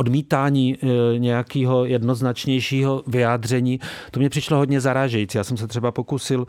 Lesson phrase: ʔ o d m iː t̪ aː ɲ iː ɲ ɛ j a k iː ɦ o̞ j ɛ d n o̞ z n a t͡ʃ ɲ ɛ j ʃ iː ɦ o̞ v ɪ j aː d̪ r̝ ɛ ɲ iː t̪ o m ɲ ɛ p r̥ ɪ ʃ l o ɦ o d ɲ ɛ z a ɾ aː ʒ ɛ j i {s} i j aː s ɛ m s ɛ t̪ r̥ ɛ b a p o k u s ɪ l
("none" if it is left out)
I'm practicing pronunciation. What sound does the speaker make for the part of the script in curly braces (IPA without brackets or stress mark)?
t͡s